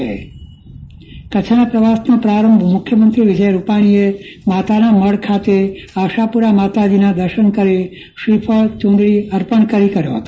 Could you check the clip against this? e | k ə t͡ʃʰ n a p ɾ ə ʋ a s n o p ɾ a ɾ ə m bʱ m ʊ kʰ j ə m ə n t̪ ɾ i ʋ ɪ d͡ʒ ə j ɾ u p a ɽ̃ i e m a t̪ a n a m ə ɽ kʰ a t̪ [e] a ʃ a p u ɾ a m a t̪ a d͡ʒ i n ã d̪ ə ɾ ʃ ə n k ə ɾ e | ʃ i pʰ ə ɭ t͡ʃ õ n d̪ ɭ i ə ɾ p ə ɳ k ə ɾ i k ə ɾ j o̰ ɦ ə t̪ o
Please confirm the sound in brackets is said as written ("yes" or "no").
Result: yes